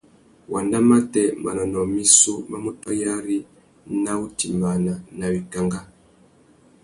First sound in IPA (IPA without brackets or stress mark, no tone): w